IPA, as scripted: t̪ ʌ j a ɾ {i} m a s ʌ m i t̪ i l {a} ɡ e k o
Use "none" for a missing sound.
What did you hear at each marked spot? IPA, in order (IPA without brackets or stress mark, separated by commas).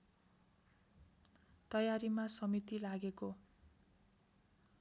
i, a